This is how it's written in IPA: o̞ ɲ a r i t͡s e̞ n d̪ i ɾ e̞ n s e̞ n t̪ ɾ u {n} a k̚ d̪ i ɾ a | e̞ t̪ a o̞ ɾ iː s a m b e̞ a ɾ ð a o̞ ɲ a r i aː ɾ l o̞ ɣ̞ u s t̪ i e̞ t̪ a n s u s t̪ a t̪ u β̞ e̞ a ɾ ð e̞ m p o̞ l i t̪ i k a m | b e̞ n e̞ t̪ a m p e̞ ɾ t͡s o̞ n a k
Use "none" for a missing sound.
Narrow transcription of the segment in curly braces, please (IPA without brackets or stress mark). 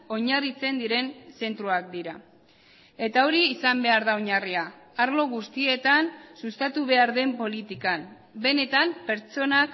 none